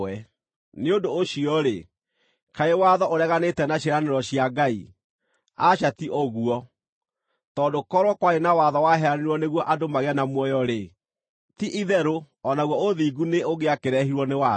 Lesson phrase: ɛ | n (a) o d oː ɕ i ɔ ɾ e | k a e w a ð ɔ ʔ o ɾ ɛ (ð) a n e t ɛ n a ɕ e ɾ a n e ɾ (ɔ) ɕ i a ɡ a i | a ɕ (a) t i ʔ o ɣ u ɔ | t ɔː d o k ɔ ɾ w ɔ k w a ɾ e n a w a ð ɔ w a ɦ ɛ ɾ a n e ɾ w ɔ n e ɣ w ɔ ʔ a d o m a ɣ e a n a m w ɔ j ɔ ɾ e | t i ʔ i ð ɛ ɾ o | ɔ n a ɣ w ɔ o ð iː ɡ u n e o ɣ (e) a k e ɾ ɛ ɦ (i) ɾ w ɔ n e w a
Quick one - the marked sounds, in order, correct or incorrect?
incorrect: e, incorrect: ɣ, correct, correct, correct, correct

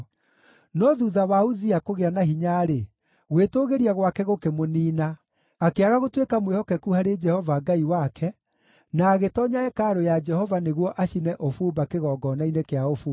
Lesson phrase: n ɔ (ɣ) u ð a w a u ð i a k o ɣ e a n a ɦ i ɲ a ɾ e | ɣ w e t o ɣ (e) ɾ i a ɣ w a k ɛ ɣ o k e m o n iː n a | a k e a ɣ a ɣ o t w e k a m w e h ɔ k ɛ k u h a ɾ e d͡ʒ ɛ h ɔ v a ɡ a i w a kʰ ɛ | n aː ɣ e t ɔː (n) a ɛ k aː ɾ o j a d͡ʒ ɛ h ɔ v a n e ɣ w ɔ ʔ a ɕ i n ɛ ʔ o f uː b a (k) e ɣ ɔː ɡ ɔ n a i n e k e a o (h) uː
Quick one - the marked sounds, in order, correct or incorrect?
incorrect: ð, correct, incorrect: ɲ, correct, incorrect: f

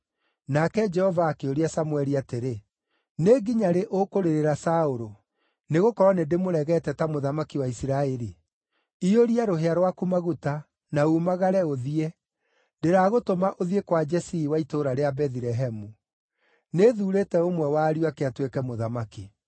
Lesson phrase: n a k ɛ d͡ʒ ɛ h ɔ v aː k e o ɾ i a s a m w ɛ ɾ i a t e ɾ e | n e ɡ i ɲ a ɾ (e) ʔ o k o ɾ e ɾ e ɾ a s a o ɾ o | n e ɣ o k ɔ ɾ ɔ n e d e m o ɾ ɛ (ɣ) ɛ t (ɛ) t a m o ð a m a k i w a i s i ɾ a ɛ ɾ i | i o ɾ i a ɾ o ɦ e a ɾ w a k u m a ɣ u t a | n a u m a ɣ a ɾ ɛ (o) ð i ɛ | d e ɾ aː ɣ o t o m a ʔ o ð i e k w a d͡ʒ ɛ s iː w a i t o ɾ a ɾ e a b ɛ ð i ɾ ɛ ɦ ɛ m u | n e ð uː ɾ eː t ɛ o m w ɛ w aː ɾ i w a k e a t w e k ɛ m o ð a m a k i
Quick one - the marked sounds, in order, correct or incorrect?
correct, correct, correct, correct

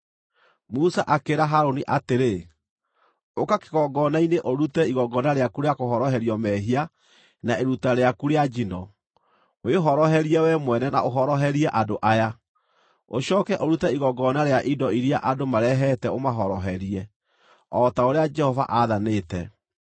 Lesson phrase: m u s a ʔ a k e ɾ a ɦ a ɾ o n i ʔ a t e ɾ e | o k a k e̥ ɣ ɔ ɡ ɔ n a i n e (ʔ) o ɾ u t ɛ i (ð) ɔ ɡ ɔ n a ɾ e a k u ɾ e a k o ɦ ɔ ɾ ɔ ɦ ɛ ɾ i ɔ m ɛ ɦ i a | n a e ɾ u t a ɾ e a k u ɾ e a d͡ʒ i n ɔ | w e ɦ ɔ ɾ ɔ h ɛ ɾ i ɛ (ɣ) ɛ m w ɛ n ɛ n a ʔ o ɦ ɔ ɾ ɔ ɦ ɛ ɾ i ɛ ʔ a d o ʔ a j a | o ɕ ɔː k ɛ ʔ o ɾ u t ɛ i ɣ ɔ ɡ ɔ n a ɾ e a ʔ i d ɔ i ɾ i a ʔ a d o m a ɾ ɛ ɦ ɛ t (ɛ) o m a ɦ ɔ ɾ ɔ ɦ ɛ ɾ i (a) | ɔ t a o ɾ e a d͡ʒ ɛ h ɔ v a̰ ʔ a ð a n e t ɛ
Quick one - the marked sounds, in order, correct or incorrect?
correct, incorrect: ɣ, incorrect: w, correct, incorrect: ɛ

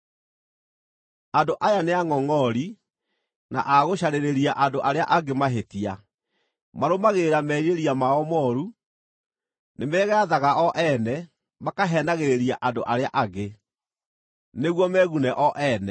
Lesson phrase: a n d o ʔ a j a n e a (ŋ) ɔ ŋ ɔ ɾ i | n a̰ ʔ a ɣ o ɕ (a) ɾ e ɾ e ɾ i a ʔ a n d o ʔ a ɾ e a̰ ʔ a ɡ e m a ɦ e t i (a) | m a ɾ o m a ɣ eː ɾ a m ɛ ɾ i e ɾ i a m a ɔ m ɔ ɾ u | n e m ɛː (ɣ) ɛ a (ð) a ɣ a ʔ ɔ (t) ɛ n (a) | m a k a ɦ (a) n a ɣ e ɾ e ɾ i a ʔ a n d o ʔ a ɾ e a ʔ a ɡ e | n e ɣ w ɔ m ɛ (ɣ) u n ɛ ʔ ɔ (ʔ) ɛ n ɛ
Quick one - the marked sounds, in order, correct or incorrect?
correct, correct, correct, correct, correct, incorrect: ʔ, incorrect: ɛ, incorrect: ɛ, correct, correct

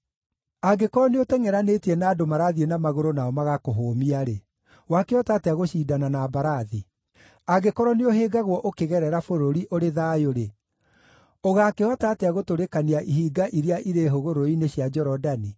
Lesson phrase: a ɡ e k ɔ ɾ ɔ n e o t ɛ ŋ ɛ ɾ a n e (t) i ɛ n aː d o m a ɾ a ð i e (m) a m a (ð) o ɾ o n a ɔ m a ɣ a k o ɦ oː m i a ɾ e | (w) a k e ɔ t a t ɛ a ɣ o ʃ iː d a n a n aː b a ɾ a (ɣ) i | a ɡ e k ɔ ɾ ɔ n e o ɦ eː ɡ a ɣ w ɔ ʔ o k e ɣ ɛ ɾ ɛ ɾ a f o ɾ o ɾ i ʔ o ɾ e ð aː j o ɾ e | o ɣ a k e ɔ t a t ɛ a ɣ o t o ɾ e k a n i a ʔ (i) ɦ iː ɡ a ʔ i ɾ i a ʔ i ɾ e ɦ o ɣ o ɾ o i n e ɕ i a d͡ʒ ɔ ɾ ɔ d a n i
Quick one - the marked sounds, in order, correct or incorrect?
correct, incorrect: n, incorrect: ɣ, correct, incorrect: ð, correct

